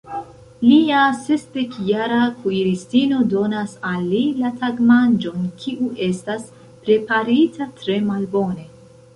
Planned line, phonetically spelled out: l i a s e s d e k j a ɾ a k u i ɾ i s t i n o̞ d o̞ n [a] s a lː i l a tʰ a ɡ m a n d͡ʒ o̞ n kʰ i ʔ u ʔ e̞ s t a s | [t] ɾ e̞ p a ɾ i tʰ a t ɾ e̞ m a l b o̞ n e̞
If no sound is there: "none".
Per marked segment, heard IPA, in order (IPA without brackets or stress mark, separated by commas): a, p